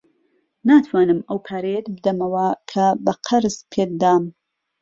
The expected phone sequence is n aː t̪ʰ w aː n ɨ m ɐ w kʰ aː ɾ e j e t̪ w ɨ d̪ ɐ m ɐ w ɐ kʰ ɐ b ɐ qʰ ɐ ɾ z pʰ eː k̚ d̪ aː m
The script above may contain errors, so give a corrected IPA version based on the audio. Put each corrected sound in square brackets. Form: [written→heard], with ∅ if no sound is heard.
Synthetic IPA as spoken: n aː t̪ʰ w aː n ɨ m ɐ w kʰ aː ɾ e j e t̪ [w→b] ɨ d̪ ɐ m ɐ w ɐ kʰ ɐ b ɐ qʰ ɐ ɾ z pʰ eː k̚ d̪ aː m